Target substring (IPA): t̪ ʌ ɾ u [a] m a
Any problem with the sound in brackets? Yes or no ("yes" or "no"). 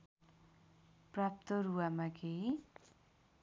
no